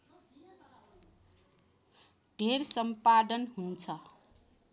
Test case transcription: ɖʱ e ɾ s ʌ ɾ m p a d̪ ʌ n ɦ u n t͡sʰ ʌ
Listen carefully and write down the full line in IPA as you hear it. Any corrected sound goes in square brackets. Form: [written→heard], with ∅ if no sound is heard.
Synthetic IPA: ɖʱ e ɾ s ʌ [ɾ→∅] m p a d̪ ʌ n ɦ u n t͡sʰ ʌ